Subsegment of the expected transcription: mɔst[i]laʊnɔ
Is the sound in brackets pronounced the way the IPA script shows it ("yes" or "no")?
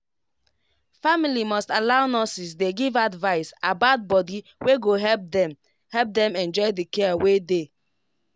no